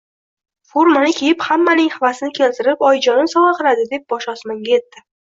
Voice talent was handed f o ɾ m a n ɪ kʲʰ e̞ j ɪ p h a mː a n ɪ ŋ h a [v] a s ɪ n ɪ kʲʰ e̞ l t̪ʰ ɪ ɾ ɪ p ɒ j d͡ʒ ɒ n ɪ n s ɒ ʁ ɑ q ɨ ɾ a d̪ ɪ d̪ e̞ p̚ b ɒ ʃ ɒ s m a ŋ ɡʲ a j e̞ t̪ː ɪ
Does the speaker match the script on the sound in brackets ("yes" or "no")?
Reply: yes